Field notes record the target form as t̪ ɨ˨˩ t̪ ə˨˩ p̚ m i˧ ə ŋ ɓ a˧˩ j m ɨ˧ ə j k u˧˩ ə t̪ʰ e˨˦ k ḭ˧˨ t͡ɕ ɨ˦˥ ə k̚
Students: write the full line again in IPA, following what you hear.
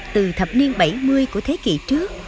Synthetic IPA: t̪ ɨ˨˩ t̪ʰ ə˨˩ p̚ n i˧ ə n ɓ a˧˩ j m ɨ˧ ə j k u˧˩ ə t̪ʰ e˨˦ k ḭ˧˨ t͡ɕ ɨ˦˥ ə k̚

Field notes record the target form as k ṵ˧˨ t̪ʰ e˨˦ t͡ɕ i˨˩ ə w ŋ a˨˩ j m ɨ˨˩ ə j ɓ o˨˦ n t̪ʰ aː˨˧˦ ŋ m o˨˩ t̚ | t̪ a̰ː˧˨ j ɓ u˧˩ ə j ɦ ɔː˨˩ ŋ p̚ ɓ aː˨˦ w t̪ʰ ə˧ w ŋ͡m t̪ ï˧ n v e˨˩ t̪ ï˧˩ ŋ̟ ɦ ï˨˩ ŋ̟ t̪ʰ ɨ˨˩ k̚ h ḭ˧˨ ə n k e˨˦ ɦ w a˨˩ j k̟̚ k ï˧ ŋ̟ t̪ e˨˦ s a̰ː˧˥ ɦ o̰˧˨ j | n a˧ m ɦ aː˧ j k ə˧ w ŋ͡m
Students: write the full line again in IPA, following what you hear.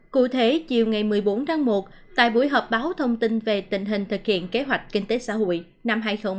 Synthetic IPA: k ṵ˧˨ t̪ʰ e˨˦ t͡ɕ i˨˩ ə w ŋ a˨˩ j m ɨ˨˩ ə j ɓ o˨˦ n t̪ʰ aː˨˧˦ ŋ m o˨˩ t̚ | t̪ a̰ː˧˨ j ɓ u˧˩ ə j ɦ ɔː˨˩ p̚ ɓ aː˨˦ w t̪ʰ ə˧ w ŋ͡m t̪ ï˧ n v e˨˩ t̪ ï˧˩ ŋ̟ ɦ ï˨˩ ŋ̟ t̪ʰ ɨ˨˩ k̚ h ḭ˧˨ ə n k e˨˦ ɦ w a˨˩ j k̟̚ k ï˧ ŋ̟ t̪ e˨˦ s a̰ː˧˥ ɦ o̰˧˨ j | n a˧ m ɦ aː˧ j x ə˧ w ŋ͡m

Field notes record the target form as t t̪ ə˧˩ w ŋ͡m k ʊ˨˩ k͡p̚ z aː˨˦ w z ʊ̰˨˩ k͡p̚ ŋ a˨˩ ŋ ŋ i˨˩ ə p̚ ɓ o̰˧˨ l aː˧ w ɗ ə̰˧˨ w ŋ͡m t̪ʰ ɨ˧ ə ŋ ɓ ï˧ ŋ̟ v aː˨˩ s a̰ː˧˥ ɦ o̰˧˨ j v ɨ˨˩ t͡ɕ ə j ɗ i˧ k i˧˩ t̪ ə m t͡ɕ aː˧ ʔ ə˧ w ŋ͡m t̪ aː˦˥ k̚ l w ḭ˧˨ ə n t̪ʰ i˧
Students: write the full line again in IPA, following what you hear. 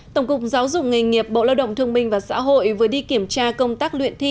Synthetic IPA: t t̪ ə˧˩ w ŋ͡m k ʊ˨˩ k͡p̚ z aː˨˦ w z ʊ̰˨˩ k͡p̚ ŋ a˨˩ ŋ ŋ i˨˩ ə p̚ ɓ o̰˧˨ l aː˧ w ɗ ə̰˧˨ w ŋ͡m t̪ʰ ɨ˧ ə ŋ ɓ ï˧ ŋ̟ v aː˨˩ s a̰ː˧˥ ɦ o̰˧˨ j v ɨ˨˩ ə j ɗ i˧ k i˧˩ ə m t͡ɕ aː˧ k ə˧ w ŋ͡m t̪ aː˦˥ k̚ l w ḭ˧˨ ə n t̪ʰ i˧

